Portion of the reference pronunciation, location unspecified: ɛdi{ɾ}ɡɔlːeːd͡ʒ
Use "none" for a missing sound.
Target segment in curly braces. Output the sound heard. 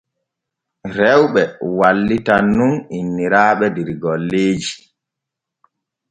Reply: ɾ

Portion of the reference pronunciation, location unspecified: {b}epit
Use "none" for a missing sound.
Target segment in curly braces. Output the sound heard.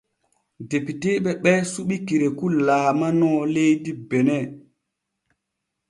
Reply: d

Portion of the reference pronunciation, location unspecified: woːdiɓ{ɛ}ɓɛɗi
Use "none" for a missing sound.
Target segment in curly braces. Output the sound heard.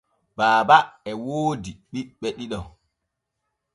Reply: i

